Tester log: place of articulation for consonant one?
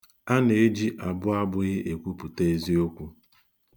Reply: alveolar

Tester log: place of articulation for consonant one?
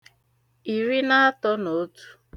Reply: alveolar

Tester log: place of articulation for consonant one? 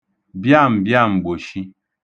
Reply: labial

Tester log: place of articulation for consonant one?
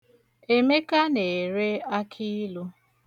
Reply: labial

